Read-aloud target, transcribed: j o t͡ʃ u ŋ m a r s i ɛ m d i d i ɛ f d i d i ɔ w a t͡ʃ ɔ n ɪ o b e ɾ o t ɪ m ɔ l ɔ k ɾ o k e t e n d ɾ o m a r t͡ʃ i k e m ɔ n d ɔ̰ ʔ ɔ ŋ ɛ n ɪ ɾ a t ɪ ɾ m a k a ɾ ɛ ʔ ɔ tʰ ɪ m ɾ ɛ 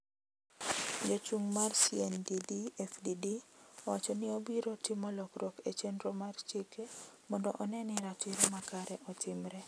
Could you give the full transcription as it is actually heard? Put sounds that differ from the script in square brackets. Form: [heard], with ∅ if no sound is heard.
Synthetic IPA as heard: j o t͡ʃ u ŋ m a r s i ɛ [n] d i d i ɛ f d i d i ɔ w a t͡ʃ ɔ n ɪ o b [i] ɾ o t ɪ m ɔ l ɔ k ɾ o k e [t͡ʃ] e n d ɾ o m a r t͡ʃ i k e m ɔ n d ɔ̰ ʔ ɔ [n] ɛ n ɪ ɾ a t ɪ ɾ m a k a ɾ ɛ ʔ ɔ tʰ ɪ m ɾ ɛ